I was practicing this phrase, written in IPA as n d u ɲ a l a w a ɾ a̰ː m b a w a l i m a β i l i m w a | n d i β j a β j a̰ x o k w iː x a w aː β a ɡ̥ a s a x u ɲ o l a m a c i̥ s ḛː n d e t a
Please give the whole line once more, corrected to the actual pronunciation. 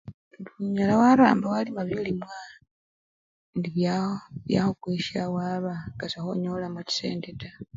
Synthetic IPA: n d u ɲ a l a w a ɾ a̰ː m b a w a l i m a β i l i m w a | n d i β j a β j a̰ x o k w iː ʃ a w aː β a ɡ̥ a s a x o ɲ o l a m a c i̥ s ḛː n d e t a